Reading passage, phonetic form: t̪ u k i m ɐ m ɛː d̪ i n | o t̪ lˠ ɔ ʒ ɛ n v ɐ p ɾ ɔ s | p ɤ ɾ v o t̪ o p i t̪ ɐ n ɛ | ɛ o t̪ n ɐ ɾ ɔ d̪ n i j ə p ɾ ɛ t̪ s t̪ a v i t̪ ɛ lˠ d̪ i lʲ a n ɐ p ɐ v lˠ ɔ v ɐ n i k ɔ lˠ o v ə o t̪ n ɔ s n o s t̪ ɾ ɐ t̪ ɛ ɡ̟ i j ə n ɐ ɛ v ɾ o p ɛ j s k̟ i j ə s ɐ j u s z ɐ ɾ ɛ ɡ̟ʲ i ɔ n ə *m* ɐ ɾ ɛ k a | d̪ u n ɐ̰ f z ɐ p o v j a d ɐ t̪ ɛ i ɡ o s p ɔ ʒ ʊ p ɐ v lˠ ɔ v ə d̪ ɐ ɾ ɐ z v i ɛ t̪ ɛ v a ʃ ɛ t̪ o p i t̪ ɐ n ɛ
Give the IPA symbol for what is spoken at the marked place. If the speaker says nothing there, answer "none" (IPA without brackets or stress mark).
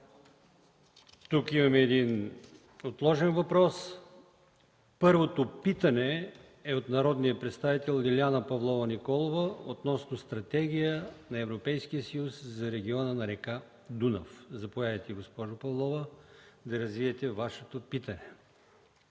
n